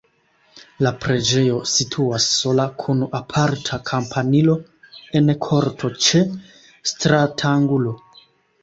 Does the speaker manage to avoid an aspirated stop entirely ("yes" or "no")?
no